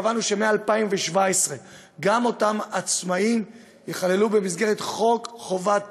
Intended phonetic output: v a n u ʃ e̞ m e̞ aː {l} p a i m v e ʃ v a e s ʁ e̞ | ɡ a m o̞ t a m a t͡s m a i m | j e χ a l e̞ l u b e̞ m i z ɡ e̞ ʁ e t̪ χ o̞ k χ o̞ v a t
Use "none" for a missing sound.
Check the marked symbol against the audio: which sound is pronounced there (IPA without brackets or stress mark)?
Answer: l